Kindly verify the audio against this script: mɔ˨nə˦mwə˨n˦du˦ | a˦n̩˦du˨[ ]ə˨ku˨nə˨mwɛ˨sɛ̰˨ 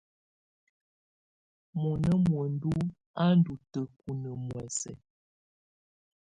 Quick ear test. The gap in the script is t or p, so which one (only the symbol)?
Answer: t